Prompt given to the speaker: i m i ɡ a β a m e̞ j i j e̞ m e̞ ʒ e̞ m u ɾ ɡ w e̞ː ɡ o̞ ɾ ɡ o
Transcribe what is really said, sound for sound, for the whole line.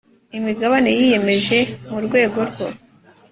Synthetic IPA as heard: i m i ɡ a β a n e̞ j i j e̞ m e̞ ʒ e̞ m u ɾ ɡ w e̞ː ɡ o̞ ɾ ɡ o